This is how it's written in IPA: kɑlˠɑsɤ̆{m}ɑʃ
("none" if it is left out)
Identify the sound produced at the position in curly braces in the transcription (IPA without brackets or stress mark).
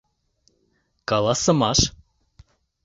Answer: m